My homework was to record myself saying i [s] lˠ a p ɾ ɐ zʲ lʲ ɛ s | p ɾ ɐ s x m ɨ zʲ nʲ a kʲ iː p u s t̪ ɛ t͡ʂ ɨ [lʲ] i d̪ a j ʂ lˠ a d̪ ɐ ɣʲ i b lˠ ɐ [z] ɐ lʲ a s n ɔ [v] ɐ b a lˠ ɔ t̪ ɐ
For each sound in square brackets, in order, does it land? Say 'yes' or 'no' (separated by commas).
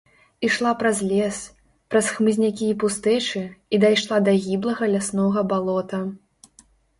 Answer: no, no, no, no